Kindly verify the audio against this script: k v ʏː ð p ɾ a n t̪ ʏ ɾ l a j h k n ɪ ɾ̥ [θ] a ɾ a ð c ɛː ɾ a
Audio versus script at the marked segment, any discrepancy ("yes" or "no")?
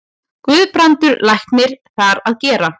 no